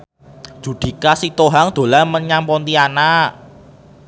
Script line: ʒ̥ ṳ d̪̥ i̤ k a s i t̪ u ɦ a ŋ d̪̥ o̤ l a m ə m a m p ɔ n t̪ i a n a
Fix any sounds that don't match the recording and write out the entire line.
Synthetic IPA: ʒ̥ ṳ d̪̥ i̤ k a s i t̪ o ɦ a ŋ d̪̥ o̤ l a m ə ɲ a m p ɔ n t̪ i a n a